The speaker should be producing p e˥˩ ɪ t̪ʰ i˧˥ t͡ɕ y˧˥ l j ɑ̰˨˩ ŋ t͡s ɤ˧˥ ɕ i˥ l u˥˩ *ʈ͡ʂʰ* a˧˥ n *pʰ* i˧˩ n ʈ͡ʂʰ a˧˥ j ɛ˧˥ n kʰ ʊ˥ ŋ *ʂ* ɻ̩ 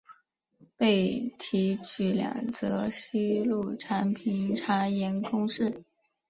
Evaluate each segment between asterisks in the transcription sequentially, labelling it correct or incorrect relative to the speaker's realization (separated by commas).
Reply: correct, correct, correct